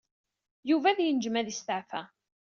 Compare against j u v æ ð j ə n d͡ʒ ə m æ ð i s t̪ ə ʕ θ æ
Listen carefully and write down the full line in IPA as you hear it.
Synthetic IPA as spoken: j u v æ ð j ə n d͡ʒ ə m æ ð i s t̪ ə ʕ f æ